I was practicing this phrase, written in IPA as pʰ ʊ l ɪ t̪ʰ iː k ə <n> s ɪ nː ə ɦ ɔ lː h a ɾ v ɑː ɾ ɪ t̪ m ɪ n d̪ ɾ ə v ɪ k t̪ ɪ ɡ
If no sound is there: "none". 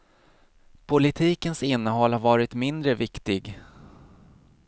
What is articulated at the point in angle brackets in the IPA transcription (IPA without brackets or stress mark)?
n